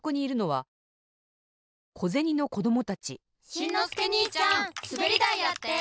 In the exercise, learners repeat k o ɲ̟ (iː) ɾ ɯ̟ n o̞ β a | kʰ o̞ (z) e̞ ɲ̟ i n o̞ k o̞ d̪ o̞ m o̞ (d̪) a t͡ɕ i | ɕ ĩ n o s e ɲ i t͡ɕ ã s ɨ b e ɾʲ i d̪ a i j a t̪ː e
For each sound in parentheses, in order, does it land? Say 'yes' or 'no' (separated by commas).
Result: yes, yes, no